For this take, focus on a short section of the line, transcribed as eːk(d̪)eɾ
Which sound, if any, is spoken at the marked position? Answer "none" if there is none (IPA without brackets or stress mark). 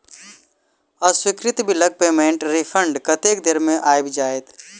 d̪